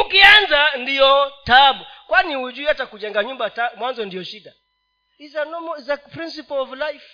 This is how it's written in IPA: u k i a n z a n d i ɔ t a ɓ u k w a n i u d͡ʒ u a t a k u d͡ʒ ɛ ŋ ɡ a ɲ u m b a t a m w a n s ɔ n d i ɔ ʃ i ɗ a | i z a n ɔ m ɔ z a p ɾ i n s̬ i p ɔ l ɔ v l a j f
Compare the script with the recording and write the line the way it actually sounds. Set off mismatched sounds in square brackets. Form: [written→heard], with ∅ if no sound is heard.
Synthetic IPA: u k i a n z a n d i ɔ t a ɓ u k w a n i u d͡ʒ u a t a k u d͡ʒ ɛ ŋ ɡ a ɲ u m b a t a m w a n [s→z] ɔ n d i ɔ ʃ i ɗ a | i z a n ɔ m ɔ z a p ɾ i n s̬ i p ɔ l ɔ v l a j f